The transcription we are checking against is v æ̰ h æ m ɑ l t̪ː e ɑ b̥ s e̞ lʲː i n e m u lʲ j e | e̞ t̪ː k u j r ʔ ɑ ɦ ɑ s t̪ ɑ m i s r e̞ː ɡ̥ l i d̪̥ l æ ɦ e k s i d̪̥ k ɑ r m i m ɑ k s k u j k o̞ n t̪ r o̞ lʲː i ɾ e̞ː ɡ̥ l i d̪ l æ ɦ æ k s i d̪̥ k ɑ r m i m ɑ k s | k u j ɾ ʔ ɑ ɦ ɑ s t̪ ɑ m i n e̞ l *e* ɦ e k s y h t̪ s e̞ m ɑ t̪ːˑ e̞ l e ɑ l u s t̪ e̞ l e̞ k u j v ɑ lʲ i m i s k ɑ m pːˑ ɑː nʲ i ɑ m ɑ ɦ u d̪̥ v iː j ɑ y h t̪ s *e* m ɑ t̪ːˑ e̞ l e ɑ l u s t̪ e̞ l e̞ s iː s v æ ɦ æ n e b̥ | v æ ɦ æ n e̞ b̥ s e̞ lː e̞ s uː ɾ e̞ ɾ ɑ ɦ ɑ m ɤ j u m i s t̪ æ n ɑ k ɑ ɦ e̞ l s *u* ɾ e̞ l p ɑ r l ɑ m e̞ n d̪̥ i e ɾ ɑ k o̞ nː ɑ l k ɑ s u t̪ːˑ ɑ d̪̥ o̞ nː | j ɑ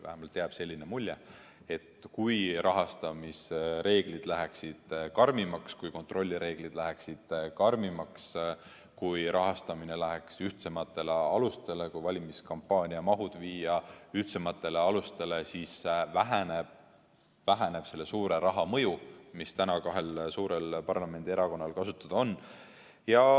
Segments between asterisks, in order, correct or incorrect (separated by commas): incorrect, correct, incorrect